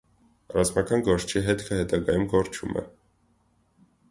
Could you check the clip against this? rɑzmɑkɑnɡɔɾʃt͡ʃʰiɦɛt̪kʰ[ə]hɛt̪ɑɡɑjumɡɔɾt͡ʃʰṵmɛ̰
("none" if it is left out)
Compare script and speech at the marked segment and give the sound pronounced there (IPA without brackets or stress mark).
ə